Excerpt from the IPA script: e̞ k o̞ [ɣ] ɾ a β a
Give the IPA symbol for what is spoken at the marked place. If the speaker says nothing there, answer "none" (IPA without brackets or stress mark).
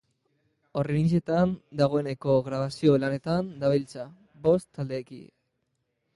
ɣ